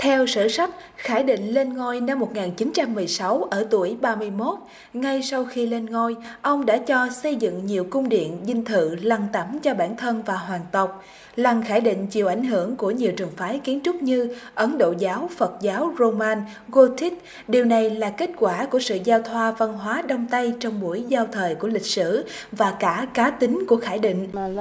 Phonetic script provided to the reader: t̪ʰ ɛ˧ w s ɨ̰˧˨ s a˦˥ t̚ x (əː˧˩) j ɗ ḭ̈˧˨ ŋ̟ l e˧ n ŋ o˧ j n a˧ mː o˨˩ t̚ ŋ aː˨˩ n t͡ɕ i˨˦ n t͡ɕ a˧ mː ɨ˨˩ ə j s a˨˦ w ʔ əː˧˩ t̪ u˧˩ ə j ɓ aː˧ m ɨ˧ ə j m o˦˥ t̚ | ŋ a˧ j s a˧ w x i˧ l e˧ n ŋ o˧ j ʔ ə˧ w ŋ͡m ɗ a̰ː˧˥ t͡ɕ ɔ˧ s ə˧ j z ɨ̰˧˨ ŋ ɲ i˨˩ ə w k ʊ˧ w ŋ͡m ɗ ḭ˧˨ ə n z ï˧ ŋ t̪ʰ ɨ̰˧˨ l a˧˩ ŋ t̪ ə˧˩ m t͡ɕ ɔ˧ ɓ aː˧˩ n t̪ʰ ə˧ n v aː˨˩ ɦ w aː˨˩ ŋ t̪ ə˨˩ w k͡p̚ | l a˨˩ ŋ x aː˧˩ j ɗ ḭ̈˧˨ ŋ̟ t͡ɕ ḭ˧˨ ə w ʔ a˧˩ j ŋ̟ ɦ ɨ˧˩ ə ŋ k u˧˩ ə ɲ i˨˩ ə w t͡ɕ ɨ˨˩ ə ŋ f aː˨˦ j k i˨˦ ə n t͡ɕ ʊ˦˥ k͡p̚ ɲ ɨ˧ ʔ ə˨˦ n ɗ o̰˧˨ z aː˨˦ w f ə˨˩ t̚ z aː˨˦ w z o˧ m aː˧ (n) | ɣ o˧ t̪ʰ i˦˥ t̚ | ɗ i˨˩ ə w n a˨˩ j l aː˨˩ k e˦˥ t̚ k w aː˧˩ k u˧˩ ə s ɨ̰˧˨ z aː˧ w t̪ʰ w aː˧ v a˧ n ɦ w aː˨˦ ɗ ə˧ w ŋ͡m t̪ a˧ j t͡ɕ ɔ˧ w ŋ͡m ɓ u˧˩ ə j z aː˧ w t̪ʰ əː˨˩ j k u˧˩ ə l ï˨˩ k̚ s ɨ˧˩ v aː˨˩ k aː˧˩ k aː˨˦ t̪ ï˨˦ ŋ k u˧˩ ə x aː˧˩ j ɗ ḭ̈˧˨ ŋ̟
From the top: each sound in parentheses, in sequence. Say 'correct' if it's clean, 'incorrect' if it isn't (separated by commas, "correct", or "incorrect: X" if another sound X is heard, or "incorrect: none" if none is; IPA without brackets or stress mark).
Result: incorrect: aː˧˩, correct